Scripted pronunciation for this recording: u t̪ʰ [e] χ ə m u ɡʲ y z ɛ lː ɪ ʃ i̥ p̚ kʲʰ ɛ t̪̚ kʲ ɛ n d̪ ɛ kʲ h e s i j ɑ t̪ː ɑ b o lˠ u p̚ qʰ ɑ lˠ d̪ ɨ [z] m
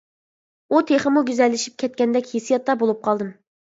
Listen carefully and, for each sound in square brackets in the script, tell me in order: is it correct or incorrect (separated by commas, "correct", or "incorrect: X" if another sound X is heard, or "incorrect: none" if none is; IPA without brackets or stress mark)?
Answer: correct, incorrect: none